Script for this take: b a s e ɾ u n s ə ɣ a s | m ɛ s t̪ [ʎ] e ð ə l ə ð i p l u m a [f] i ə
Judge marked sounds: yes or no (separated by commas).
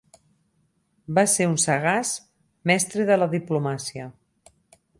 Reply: no, no